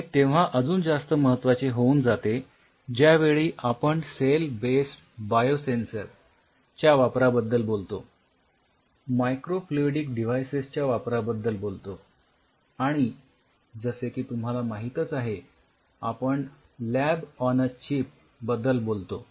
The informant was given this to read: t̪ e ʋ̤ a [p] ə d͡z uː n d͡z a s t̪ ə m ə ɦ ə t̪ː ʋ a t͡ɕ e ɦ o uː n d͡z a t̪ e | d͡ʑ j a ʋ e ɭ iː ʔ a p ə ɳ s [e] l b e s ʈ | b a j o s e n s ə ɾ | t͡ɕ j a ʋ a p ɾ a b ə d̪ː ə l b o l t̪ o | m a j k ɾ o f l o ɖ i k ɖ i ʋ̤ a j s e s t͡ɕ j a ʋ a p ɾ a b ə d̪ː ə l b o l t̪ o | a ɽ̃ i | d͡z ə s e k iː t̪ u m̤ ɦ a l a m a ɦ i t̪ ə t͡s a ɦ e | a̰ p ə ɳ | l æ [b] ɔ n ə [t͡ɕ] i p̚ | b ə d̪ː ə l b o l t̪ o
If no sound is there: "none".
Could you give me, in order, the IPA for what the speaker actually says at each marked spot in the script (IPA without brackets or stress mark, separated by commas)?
ʔ, e, b, t͡ɕ